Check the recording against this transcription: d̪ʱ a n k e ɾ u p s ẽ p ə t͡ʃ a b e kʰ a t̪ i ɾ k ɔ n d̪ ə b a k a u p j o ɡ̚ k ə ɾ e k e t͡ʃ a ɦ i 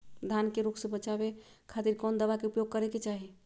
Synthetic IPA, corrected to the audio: d̪ʱ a n k e ɾ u k s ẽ b ə t͡ʃ a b e kʰ a t̪ i ɾ k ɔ n d̪ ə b a k e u p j o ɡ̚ k ə ɾ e k e t͡ʃ a ɦ i